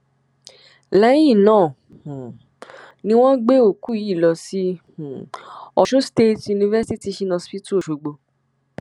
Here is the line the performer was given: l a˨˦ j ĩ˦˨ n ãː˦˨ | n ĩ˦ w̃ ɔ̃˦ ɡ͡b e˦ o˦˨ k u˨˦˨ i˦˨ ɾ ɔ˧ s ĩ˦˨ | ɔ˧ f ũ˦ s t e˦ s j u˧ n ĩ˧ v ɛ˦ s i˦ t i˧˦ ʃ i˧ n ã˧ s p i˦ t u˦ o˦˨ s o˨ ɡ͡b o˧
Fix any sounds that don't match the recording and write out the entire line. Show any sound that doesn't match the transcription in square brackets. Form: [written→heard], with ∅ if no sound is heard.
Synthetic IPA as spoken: l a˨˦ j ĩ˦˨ n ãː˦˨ | n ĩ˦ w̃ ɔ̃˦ ɡ͡b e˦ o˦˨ k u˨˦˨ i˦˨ [ɾ→l] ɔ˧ s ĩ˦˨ | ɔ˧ [f→ʃ] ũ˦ s t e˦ [s→t] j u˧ n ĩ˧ v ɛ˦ s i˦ t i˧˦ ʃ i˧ n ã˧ s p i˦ t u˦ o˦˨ [s→ʃ] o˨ ɡ͡b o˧